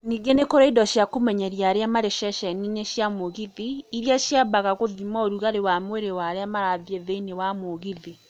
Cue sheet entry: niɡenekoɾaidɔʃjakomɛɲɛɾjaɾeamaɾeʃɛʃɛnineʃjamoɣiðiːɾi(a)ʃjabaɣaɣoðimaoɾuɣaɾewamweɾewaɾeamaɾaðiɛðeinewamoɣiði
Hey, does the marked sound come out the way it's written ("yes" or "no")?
yes